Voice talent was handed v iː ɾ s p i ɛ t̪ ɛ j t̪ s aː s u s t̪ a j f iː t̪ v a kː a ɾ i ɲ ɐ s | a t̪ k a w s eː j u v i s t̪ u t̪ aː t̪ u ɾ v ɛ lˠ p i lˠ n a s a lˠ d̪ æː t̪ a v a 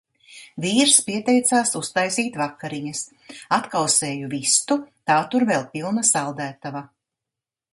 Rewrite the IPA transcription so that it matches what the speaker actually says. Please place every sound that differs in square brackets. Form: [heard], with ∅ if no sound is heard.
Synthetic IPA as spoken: v iː ɾ s p i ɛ t̪ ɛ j t̪ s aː s u s t̪ a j [s] iː t̪ v a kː a ɾ i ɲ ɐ s | a t̪ k a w s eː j u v i s t̪ u t̪ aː t̪ u ɾ v ɛ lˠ p i lˠ n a s a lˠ d̪ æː t̪ a v a